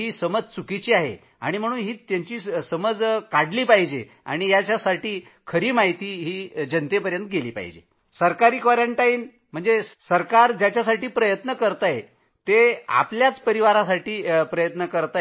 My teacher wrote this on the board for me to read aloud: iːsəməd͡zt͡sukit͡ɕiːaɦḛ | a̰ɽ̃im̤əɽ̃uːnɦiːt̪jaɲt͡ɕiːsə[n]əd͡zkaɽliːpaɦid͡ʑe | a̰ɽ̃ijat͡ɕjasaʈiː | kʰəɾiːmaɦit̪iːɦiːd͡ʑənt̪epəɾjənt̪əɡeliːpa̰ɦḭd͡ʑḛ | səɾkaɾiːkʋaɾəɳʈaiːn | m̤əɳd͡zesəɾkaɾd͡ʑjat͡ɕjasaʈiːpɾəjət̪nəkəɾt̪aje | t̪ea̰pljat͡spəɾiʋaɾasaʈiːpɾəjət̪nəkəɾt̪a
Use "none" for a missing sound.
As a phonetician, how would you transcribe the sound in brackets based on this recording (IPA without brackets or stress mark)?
m